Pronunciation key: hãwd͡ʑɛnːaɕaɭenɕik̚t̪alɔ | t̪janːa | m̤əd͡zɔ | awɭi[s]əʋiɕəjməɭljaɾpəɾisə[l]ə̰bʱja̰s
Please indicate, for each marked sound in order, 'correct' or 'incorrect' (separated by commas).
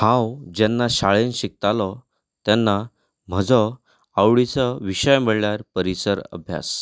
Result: incorrect, incorrect